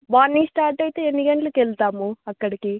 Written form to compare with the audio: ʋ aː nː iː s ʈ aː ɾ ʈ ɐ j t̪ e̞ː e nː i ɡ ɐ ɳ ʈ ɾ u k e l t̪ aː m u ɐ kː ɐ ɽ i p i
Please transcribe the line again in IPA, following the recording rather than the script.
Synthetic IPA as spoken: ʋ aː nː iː s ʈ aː ɾ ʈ ɐ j t̪ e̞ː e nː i ɡ ɐ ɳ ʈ l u k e l t̪ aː m u ɐ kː ɐ ɽ i k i